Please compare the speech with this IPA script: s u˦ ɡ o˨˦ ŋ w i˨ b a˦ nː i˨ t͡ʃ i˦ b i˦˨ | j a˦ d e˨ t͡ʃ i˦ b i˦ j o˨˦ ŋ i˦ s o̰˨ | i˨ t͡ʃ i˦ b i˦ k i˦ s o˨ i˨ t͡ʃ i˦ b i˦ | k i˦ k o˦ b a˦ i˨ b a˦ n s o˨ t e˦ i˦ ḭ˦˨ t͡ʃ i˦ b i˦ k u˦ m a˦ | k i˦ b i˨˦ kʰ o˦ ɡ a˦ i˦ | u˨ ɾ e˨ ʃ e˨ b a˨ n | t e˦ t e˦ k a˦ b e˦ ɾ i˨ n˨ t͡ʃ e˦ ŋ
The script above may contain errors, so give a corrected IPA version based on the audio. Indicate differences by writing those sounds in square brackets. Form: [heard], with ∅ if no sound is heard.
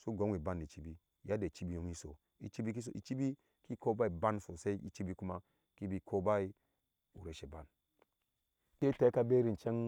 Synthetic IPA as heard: s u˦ ɡ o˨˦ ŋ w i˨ b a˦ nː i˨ t͡ʃ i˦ b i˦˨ | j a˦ d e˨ t͡ʃ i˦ b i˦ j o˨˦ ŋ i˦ s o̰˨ | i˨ t͡ʃ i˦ b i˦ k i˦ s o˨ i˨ t͡ʃ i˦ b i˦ | k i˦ k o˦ b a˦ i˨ b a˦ n s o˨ [s] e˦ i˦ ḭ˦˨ t͡ʃ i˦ b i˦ k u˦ m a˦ | k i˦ b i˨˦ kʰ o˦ [b] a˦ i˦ | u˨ ɾ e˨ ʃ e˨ b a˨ n | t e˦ t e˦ k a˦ b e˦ ɾ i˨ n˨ t͡ʃ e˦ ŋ